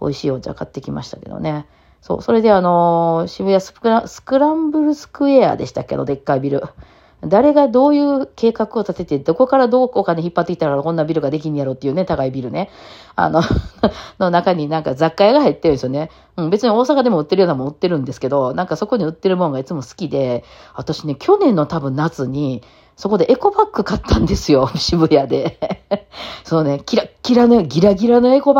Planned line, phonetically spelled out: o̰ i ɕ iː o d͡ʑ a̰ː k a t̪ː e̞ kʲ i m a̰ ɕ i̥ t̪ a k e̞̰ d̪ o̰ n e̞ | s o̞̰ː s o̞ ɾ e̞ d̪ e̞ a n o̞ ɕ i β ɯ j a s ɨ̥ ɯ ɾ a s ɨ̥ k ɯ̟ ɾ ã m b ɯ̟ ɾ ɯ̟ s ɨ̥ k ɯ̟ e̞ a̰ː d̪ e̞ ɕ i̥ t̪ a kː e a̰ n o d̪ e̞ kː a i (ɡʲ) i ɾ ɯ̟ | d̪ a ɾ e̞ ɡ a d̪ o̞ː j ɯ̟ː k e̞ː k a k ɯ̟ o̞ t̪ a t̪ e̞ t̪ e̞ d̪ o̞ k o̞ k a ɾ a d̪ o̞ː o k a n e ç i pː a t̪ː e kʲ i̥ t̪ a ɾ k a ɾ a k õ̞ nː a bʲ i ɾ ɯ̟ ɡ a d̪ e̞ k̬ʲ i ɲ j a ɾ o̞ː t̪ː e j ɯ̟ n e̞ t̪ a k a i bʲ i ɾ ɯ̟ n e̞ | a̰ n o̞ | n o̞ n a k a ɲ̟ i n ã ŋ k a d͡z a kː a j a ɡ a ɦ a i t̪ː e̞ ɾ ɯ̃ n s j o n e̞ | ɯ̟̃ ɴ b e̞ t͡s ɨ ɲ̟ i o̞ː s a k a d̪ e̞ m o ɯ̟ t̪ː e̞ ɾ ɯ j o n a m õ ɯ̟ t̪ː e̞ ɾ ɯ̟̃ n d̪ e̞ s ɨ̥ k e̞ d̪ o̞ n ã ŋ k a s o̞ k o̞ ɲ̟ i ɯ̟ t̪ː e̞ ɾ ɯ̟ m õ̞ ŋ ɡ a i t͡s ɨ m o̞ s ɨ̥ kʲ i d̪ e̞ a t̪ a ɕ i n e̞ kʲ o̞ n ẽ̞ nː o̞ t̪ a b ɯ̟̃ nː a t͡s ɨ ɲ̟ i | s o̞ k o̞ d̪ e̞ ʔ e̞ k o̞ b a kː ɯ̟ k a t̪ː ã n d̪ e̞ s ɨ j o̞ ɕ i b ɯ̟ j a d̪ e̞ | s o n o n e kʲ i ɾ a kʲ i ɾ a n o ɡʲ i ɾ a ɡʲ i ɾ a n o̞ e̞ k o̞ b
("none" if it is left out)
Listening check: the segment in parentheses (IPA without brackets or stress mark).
bʲ